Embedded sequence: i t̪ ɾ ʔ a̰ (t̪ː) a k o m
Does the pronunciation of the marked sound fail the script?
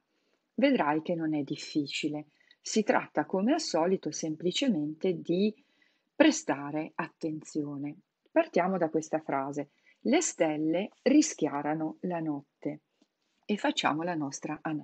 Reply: no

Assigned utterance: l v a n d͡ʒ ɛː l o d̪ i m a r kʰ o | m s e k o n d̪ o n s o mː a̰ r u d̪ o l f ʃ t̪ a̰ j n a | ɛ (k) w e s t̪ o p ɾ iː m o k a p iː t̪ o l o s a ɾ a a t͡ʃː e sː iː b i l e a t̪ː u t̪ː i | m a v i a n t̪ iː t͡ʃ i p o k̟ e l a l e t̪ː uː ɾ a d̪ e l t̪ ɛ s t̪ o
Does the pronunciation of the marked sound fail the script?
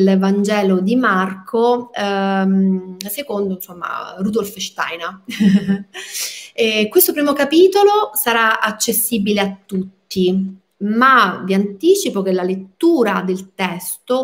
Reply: no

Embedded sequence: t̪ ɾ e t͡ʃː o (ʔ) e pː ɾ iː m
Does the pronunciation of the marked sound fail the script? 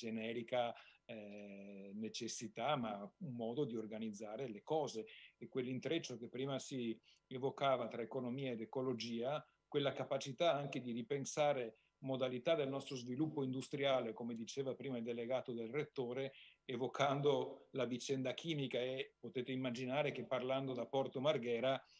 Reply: yes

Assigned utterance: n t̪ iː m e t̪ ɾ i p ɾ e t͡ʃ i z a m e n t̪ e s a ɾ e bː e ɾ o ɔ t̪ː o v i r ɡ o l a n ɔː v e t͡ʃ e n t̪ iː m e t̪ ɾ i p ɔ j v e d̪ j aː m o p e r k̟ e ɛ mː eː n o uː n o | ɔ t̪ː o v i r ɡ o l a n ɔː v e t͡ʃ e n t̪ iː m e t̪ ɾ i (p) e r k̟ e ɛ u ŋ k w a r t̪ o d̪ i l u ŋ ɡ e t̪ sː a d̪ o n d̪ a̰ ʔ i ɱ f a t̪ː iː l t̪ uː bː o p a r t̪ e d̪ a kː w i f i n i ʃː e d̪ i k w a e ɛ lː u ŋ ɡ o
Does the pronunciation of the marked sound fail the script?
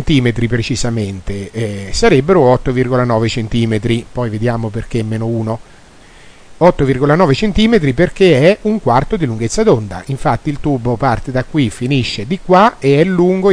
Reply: no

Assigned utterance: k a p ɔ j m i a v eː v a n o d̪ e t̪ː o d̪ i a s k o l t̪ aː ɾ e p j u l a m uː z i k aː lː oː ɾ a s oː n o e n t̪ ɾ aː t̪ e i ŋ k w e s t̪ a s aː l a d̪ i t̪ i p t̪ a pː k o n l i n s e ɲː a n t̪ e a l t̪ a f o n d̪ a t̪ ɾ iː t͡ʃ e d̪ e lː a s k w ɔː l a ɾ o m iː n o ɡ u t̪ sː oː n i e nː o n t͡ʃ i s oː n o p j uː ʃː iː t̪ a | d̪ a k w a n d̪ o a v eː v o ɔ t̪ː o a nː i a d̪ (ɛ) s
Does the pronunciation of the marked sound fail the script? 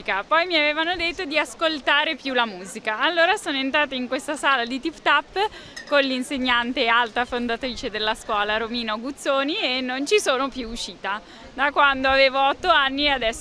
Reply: no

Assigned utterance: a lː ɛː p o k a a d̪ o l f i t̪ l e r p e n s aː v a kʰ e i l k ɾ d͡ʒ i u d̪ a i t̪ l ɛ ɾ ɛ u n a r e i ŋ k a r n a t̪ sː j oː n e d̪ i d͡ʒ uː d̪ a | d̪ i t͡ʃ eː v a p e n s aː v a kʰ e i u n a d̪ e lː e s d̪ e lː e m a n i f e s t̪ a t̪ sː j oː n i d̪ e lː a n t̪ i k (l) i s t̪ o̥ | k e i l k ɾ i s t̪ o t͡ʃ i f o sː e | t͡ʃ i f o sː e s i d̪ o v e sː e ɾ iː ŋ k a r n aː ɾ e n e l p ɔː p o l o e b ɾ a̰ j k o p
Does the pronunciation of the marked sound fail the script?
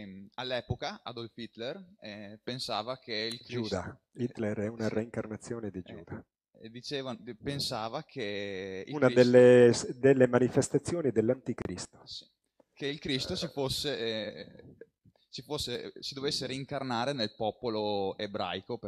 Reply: yes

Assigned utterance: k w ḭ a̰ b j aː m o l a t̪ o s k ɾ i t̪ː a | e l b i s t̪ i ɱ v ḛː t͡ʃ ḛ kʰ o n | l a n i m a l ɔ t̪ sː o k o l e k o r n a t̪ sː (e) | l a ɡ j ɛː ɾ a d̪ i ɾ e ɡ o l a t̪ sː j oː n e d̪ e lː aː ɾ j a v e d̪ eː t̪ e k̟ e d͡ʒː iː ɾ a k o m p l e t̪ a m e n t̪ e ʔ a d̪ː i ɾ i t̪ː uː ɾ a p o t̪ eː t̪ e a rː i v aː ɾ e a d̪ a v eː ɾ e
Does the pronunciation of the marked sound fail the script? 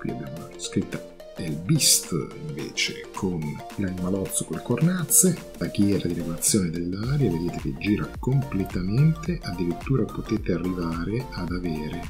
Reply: no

